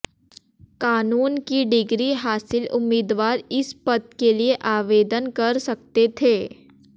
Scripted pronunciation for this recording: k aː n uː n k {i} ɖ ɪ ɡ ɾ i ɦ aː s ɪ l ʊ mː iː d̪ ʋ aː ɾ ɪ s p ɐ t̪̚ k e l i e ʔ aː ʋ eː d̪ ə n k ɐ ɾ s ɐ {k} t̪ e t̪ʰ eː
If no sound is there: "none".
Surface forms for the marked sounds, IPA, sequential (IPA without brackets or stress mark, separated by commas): i, k